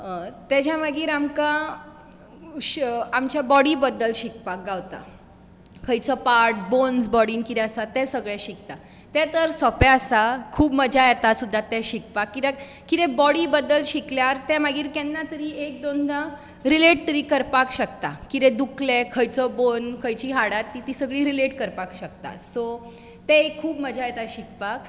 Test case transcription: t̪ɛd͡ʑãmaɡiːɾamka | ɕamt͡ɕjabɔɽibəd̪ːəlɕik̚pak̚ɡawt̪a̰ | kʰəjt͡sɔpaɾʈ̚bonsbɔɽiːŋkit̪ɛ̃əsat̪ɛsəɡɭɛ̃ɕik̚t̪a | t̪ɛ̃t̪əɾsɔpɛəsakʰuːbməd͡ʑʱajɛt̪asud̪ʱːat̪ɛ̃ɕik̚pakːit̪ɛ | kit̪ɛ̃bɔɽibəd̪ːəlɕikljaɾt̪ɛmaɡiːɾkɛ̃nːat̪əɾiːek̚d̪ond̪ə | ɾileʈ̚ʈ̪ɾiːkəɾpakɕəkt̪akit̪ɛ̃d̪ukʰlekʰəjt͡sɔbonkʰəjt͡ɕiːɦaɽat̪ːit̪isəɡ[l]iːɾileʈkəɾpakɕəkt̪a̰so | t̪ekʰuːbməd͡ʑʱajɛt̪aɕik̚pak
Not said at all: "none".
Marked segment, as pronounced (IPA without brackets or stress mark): ɭ